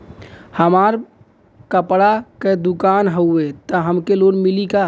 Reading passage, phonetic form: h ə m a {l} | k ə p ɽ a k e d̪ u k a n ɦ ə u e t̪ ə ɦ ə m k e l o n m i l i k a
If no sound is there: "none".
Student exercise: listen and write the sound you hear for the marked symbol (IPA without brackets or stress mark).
ɾ